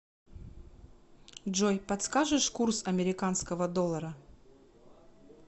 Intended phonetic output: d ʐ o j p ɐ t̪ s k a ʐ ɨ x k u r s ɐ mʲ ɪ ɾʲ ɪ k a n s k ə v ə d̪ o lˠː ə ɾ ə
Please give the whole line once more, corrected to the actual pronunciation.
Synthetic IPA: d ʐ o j p ɐ t̪ s k a ʐ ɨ ʂ k u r s ɐ mʲ ɪ ɾʲ ɪ k a n s k ə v ə d̪ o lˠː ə ɾ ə